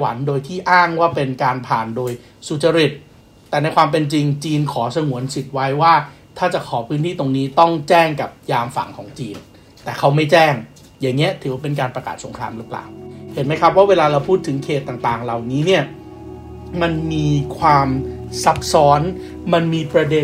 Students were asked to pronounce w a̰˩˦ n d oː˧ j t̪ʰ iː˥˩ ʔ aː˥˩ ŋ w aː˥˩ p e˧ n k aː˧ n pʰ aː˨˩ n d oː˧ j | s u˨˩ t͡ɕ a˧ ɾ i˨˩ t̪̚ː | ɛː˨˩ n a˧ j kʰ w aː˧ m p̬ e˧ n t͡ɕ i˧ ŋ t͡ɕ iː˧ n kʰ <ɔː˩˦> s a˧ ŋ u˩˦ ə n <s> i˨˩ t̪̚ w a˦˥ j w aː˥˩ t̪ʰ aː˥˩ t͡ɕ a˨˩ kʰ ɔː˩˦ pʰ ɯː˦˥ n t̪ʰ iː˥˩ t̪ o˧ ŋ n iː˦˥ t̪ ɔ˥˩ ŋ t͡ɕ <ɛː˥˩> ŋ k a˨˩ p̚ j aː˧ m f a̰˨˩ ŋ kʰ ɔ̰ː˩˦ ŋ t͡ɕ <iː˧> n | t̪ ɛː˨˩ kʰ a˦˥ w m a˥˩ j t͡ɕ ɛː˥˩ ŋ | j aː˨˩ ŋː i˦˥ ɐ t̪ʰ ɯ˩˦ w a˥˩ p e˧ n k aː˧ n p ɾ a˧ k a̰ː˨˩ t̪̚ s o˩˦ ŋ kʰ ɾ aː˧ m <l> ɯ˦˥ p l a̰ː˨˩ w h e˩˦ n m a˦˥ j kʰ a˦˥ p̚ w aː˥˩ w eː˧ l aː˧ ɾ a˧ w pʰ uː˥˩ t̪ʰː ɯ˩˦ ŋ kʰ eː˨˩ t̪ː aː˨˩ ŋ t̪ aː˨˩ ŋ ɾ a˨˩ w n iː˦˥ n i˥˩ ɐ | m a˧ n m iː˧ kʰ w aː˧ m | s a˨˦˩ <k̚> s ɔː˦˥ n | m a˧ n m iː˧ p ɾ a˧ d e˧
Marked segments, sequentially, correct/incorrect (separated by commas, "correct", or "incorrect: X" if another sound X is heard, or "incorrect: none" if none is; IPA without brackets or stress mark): correct, correct, correct, correct, incorrect: ɾ, incorrect: p̚